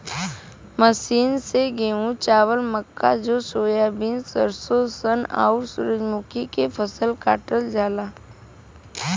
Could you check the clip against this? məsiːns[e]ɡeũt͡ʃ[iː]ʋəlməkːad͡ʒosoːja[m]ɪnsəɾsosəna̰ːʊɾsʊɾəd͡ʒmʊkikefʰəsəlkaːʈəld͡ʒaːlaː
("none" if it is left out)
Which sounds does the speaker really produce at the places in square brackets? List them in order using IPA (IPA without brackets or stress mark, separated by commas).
e, aː, b